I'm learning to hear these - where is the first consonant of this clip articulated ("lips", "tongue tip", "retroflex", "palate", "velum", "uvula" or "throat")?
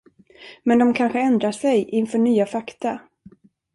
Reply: lips